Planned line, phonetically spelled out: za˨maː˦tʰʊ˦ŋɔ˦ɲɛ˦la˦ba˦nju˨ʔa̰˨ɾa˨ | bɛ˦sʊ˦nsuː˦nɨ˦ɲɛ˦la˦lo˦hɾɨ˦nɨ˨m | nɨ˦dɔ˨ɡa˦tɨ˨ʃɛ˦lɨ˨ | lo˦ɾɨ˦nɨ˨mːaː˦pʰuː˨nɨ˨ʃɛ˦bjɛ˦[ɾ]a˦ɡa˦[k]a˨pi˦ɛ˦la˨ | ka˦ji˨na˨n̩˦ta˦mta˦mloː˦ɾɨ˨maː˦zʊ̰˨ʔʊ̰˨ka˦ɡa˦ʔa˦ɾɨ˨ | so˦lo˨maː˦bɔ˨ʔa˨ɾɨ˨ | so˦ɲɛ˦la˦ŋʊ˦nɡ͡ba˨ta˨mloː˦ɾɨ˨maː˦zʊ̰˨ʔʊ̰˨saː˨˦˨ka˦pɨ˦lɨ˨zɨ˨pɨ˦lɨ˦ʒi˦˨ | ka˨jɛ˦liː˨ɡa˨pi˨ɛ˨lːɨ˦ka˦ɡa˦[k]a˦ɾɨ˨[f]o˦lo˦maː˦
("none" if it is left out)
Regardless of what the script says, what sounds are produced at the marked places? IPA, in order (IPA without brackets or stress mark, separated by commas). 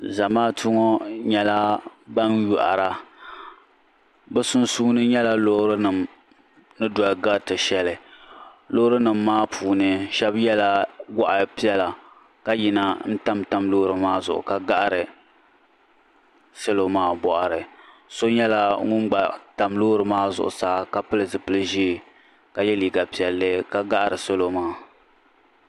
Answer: l, ʔ, ʔ, s